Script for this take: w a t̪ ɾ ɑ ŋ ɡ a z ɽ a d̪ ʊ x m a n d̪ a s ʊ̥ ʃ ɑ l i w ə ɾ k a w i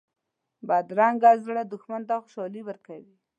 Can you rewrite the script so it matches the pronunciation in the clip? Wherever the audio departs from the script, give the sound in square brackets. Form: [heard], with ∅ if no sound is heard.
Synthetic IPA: [b] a [d̪] ɾ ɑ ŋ ɡ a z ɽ a d̪ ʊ x m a n [t̪] a [x] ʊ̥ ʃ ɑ l i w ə ɾ k a w i